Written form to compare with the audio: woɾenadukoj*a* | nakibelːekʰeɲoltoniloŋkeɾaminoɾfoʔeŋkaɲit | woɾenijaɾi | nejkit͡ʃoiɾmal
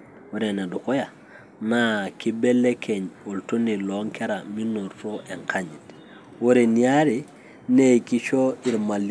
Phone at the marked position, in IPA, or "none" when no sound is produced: a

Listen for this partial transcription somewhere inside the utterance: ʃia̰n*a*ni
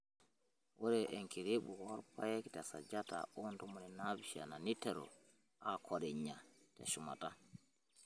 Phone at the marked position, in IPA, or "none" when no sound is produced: a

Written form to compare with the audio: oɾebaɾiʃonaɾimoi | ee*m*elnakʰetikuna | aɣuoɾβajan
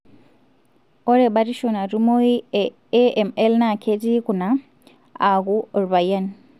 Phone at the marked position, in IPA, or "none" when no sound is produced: m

